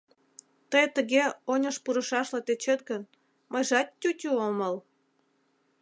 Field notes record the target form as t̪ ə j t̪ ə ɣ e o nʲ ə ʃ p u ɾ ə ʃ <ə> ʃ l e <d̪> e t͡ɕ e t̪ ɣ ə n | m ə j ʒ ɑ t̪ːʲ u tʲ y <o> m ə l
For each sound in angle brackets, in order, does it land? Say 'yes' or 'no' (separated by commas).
no, no, yes